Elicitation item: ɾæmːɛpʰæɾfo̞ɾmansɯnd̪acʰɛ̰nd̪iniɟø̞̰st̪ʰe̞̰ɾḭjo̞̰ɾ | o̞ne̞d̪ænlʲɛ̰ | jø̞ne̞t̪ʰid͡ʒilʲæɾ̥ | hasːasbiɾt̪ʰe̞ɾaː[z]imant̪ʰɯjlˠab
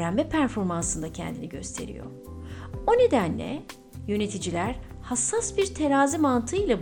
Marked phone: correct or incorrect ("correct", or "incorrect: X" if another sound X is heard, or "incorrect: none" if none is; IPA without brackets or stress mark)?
correct